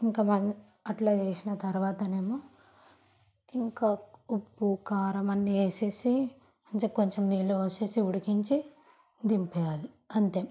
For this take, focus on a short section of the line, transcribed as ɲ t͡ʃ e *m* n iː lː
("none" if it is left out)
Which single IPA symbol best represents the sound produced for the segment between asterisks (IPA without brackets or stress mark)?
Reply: m